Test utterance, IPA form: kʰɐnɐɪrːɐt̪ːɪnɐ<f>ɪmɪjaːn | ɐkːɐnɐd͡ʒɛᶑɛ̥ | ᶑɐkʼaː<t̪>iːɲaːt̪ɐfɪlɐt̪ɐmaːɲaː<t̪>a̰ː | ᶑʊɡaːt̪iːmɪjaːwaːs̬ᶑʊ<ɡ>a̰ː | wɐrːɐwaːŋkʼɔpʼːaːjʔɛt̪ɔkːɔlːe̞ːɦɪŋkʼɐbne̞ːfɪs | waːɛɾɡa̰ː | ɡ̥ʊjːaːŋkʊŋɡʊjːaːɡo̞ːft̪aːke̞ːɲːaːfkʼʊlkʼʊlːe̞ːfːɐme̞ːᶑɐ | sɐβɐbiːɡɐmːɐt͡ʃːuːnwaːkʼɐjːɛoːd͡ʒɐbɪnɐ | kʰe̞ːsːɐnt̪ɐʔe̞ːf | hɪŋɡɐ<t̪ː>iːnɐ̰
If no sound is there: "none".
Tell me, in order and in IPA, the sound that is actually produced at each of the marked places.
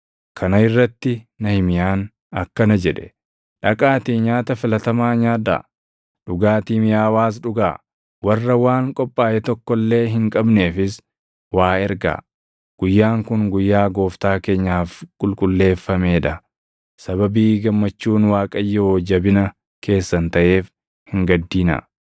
h, t̪, d̪, ɡ, d̪ː

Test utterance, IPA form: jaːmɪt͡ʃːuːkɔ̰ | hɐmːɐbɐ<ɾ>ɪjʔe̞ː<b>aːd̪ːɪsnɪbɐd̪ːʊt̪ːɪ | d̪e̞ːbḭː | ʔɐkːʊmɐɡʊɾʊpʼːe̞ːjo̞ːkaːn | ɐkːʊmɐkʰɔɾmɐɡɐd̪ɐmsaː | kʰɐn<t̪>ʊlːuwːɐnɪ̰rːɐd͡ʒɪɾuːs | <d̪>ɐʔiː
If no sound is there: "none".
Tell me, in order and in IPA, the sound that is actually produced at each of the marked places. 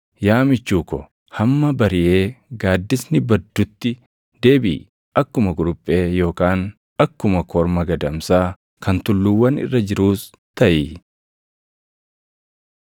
ɾ, ɡ, t̪, t̪

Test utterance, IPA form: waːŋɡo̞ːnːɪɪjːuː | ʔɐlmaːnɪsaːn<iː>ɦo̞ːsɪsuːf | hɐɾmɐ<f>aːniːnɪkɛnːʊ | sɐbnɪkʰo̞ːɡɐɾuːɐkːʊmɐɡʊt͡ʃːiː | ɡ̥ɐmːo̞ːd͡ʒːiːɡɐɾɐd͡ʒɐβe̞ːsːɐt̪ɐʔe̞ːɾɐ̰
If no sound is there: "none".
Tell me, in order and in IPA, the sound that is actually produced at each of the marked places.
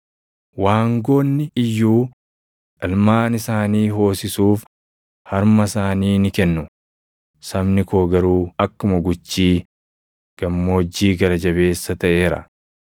iː, s

